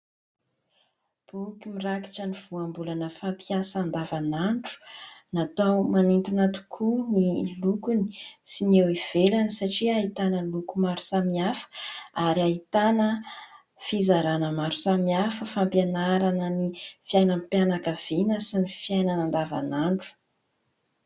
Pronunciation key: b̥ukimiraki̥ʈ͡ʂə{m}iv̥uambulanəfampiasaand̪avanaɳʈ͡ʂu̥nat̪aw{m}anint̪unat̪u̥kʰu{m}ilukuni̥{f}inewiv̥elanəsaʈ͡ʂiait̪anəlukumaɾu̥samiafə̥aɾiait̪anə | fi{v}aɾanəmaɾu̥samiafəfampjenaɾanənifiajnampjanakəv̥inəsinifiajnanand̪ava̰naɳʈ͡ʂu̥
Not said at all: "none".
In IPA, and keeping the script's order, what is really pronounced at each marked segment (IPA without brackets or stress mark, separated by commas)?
n, m, n, s, z